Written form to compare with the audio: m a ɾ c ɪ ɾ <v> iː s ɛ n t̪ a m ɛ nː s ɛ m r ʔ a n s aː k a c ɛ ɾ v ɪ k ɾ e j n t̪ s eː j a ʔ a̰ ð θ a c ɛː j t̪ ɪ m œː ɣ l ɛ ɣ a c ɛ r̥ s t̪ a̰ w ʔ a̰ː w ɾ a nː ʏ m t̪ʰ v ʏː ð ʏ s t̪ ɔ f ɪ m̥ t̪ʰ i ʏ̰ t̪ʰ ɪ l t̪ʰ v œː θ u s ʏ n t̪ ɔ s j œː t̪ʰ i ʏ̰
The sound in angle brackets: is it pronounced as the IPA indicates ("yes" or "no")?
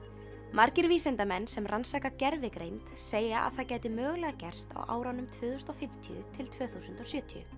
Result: yes